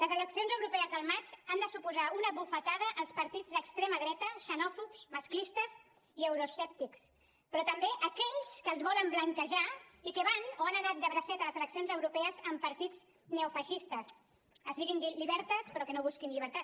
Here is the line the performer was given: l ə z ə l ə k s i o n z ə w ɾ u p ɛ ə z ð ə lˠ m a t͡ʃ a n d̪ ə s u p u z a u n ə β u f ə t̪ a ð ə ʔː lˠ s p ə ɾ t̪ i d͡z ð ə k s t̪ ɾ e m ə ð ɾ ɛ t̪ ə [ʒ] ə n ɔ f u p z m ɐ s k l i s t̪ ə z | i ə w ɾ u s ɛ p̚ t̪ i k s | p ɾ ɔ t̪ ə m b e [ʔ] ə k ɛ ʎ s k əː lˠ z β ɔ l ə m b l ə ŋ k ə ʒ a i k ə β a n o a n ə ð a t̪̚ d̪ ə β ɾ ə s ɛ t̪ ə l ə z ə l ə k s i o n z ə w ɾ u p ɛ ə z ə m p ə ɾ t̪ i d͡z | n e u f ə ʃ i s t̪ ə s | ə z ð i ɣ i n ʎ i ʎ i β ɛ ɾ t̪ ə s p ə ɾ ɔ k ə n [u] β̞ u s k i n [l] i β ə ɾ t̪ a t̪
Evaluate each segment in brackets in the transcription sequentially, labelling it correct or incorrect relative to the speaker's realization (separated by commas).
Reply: incorrect, correct, incorrect, incorrect